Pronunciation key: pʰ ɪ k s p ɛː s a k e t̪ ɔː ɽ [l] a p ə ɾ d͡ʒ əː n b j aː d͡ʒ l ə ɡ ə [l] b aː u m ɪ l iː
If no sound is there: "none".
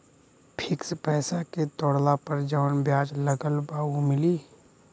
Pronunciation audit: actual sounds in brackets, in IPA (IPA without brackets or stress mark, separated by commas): l, l